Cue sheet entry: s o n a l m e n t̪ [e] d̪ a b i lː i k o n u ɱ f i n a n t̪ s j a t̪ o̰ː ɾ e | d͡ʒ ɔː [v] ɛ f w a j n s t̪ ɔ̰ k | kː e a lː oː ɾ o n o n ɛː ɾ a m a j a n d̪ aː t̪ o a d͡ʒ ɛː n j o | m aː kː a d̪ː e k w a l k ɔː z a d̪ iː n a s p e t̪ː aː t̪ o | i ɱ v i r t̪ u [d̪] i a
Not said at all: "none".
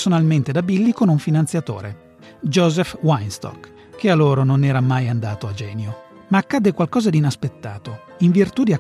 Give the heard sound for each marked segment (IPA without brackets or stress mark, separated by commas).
e, z, d̪